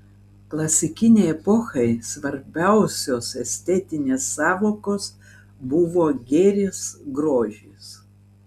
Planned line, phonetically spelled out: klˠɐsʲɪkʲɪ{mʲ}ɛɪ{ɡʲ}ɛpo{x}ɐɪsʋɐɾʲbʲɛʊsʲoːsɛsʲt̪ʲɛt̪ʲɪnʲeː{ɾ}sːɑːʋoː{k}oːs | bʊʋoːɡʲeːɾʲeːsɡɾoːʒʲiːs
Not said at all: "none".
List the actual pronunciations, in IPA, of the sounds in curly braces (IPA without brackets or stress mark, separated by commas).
nʲ, none, x, none, k